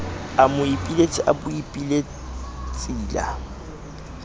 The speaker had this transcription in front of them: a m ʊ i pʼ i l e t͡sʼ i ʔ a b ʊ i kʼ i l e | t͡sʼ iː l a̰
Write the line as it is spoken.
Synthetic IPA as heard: a m ʊ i pʼ i l e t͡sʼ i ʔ a b ʊ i pʼ i l e | t͡sʼ iː l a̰